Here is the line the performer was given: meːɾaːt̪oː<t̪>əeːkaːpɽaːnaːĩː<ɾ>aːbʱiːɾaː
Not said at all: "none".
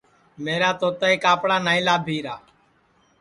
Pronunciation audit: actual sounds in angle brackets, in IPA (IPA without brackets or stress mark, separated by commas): t̪, l